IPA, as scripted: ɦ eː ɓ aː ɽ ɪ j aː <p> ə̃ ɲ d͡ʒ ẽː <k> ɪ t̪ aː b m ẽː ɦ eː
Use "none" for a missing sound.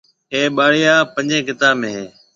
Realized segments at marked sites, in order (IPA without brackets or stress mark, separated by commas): p, k